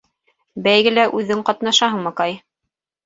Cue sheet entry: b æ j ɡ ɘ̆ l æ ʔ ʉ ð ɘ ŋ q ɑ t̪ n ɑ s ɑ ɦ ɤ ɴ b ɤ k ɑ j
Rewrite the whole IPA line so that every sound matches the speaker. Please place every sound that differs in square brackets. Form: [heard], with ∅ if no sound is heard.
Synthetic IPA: b æ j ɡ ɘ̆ l æ ʔ ʉ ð ɘ ŋ q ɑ t̪ n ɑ [ʃ] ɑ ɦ ɤ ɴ [m] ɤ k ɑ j